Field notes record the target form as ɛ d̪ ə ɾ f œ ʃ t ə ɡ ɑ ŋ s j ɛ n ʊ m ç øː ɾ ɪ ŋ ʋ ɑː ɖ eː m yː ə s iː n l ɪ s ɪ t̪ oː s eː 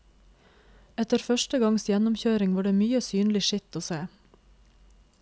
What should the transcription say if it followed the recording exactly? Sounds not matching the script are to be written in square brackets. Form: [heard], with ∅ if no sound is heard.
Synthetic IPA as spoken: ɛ [t̪] ə ɾ f œ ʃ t ə ɡ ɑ ŋ s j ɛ n ʊ m ç øː ɾ ɪ ŋ ʋ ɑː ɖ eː m yː ə s [yː] n l ɪ [ʃ] ɪ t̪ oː s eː